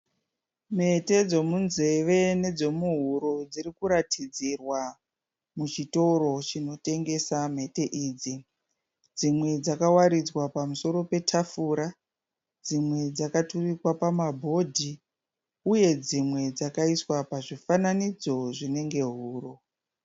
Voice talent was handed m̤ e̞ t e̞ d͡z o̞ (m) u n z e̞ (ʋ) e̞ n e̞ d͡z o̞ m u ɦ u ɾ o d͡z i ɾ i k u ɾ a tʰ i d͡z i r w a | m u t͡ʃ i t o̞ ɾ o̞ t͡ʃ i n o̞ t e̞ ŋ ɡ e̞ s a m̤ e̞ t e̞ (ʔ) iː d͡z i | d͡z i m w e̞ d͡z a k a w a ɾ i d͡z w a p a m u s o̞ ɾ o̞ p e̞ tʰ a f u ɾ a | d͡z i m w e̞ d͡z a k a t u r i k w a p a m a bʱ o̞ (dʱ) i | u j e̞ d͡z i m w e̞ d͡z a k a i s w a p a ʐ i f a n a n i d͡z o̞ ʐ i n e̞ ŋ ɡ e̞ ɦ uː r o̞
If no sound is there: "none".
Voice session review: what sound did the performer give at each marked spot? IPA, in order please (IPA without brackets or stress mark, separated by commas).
m, ʋ, ʔ, dʱ